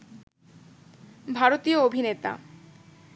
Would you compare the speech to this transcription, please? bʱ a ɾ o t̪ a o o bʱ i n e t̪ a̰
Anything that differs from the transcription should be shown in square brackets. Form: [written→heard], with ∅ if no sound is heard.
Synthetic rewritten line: bʱ a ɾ o t̪ [a→i] o o bʱ i n e t̪ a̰

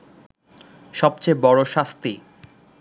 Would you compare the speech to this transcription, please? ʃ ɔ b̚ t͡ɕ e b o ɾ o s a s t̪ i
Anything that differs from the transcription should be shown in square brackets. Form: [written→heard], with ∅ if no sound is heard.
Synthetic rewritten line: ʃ ɔ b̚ t͡ɕ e b [o→ɔ] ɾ o [s→ʃ] a s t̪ i

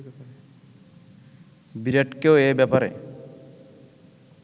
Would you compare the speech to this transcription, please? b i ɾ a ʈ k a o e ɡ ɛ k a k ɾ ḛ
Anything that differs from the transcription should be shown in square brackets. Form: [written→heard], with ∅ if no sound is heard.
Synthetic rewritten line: b i ɾ [a→e] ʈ k [a→e] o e [ɡ→b] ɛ [k→p] a [k→∅] ɾ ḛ

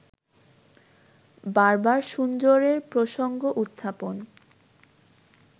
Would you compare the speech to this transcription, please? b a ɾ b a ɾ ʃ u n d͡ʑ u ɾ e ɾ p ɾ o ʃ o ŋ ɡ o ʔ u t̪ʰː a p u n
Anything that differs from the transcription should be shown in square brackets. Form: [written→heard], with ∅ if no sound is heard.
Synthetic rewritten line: b a ɾ b a ɾ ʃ u n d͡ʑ [u→o] ɾ e ɾ p ɾ o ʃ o ŋ ɡ o ʔ u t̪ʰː a p [u→o] n

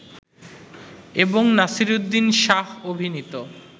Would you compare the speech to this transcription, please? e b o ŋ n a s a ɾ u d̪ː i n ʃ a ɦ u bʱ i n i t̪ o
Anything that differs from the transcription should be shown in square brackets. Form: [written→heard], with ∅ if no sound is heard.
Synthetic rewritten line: e b o ŋ n a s [a→i] ɾ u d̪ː i n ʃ a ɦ [u→o] bʱ i n i t̪ o

